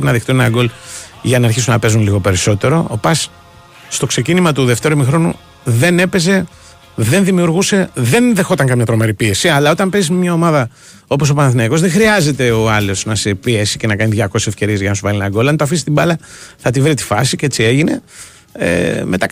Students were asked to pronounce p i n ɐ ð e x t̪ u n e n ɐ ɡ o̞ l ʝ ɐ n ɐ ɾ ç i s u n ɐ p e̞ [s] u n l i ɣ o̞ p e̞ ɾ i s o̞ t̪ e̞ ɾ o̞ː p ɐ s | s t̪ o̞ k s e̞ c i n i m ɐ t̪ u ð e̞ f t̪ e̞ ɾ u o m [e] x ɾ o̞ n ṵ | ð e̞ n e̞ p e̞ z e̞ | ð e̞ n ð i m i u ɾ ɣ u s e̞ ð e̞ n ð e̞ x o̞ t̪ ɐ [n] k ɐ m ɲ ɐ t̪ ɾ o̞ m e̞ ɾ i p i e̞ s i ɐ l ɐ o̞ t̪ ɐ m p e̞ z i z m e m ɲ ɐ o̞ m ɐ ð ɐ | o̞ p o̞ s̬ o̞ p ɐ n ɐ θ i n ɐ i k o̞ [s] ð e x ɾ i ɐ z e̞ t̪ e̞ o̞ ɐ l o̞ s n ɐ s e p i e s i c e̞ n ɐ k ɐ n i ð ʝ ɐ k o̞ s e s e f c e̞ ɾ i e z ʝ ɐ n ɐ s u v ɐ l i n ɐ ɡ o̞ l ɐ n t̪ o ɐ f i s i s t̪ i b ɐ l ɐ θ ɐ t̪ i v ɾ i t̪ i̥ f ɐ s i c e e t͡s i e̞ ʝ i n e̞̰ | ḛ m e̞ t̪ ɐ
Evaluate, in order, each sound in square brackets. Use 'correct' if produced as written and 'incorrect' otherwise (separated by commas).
incorrect, incorrect, incorrect, incorrect